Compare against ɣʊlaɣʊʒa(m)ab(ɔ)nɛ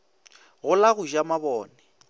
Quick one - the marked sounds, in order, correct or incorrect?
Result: correct, incorrect: ɔː

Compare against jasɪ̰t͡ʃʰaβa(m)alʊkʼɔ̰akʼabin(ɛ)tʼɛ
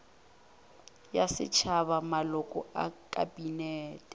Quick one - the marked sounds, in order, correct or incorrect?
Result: correct, incorrect: ɛː

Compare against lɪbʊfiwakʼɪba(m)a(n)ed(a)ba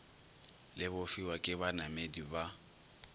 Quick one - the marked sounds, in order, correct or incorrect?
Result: incorrect: n, incorrect: m, incorrect: i

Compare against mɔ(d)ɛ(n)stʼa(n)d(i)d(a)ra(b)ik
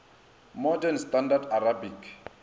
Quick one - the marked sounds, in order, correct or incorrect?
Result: correct, correct, correct, incorrect: a, correct, correct

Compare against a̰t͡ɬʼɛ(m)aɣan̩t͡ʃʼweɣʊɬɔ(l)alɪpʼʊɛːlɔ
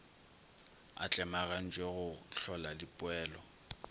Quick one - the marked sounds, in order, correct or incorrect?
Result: correct, correct

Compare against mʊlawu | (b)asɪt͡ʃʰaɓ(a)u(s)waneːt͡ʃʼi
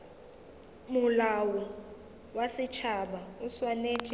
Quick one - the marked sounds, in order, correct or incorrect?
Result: incorrect: w, correct, correct

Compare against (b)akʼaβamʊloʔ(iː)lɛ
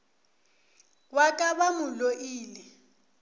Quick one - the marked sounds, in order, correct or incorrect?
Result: incorrect: w, correct

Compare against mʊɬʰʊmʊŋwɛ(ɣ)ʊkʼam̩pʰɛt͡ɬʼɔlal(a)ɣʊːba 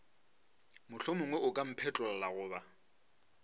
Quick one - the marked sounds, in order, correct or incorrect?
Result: incorrect: none, correct

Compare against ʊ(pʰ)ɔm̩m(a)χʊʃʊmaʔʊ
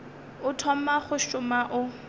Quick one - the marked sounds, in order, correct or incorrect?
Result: incorrect: tʰ, correct

